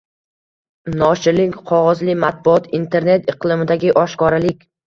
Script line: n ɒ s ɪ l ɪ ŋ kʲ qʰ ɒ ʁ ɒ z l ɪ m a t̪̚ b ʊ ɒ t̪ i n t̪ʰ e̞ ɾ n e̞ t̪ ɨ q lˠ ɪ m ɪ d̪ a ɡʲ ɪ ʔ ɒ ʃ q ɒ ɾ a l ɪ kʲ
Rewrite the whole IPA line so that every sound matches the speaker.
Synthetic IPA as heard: n ɒ ʃ ɪ l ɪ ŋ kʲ qʰ ɒ ʁ ɒ z l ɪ m a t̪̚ b ʊ ɒ t̪ i n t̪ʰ e̞ ɾ n e̞ t̪ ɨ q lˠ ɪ m ɪ d̪ a ɡʲ ɪ ʔ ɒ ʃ k ɒ ɾ a l ɪ kʲ